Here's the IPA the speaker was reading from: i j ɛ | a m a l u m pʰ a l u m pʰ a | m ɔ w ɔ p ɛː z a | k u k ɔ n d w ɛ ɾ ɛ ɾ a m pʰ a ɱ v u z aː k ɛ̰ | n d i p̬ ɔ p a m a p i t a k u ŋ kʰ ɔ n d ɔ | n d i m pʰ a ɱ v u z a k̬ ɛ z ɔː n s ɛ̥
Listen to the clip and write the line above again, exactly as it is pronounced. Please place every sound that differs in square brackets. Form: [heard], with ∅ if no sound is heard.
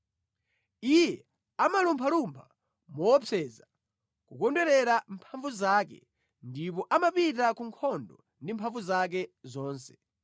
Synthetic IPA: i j ɛ | a m a l u m pʰ a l u m pʰ a | m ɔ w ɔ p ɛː z a | k u k ɔ n d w ɛ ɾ ɛ ɾ a m pʰ a ɱ v u z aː k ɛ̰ | n d i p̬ ɔ [ʔ] a m a p i t a k u ŋ kʰ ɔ n d ɔ | n d i m pʰ a ɱ v u z a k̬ ɛ z ɔː n s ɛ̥

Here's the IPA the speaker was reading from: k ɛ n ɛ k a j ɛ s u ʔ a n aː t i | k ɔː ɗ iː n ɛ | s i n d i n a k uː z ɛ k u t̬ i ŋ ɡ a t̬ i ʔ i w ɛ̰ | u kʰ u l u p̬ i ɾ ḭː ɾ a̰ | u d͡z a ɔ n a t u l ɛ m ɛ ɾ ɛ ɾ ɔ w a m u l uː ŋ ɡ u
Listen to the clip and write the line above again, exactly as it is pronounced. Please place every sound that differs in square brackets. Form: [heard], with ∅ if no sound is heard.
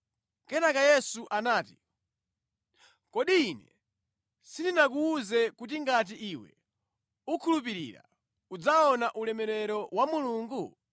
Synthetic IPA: k ɛ n [a] k a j ɛ s u ʔ a n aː t i | k [ɔ] ɗ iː n ɛ | s i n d i n a k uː z ɛ k u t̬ i ŋ ɡ a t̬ i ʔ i w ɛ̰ | u kʰ u l u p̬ i ɾ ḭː ɾ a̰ | u d͡z a ɔ n a [ʔ] u l ɛ m ɛ ɾ ɛ ɾ ɔ w a m u l uː ŋ ɡ u

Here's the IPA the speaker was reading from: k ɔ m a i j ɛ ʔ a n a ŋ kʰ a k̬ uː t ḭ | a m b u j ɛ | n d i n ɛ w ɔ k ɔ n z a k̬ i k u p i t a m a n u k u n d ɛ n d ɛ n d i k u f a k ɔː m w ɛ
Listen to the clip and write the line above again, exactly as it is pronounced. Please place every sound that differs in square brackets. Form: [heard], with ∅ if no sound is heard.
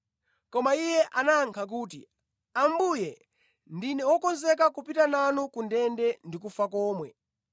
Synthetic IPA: k ɔ m a i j ɛ ʔ a n a ŋ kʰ a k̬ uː t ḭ | a m b u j ɛ | n d i n ɛ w ɔ k ɔ n z [ɛ] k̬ [a] k u p i t a [n] a n u k u n d ɛ n d ɛ n d i k u f a k ɔː m w ɛ

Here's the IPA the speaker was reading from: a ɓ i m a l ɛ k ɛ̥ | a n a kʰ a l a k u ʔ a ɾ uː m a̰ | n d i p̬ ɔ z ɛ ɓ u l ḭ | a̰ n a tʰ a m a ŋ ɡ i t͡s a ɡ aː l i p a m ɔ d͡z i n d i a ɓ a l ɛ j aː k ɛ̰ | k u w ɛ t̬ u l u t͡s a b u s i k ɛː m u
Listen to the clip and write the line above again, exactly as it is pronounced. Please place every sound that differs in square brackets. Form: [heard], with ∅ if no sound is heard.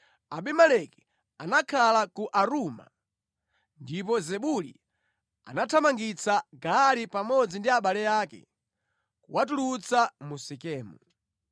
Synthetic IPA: a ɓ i m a l ɛ k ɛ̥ | a n a kʰ a l a k u ʔ a ɾ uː m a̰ | n d i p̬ ɔ z ɛ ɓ u l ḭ | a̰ n a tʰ a m a ŋ ɡ i t͡s a ɡ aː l i p a m ɔ d͡z i n d i a ɓ a l ɛ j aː k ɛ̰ | k u w [a] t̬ u l u t͡s a [m] u s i k ɛː m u

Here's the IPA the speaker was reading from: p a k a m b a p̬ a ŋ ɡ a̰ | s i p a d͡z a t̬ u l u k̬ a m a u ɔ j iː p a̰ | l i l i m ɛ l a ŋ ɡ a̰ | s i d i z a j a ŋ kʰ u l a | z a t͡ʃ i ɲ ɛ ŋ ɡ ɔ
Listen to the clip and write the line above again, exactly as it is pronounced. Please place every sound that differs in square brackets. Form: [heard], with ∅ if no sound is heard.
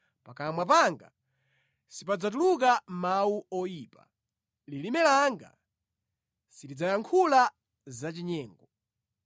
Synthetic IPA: p a k a m [w] a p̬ a ŋ ɡ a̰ | s i p a d͡z a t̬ u l u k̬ a m a u ɔ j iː p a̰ | l i l i m ɛ l a ŋ ɡ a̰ | s i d i [d͡z] a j a ŋ kʰ u l a | z a t͡ʃ i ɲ [ɛː] ŋ ɡ ɔ

